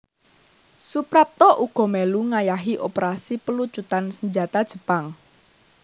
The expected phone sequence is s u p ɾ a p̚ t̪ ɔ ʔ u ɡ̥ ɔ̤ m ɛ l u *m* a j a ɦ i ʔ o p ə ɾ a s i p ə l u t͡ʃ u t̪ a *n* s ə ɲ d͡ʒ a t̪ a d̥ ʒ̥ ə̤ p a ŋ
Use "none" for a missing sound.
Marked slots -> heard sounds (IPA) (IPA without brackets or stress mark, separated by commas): ŋ, n